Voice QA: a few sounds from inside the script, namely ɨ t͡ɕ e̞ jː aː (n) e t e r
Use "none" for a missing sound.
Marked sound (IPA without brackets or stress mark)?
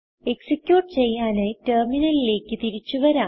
n